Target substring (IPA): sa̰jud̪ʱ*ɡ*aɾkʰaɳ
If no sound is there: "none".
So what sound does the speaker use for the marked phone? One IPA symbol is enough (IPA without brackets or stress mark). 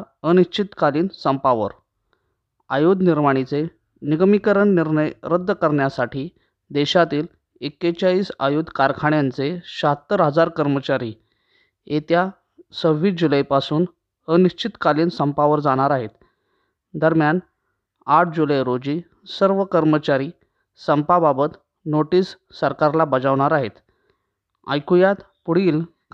k